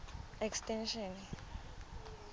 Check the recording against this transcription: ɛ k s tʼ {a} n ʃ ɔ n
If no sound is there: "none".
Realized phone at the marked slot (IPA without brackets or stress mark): ɛ